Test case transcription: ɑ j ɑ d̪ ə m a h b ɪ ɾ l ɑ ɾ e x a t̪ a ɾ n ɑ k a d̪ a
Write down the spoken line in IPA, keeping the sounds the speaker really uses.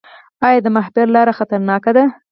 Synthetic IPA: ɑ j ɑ d̪ ə m a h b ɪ ɾ l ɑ ɾ a x a t̪ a ɾ n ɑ k a d̪ a